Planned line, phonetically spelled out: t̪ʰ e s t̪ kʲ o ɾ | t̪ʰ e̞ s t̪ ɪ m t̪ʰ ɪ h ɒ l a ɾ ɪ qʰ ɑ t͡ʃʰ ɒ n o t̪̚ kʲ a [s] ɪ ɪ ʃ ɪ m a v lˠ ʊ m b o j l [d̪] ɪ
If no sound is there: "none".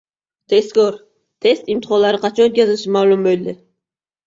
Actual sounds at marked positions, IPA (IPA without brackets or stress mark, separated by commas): z, d̪